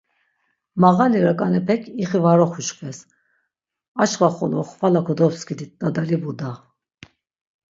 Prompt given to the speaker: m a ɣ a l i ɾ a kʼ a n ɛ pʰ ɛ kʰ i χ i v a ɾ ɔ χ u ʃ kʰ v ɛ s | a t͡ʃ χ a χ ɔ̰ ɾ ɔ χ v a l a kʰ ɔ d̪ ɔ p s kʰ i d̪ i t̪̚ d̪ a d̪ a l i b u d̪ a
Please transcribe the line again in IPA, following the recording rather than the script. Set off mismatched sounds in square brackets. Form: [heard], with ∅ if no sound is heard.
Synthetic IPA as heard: m a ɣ a l i ɾ a kʼ a n ɛ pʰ ɛ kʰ i χ i v a ɾ ɔ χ u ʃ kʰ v ɛ s | a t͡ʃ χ a χ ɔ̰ [l] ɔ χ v a l a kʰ ɔ d̪ ɔ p s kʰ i d̪ i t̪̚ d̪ a d̪ a l i b u d̪ a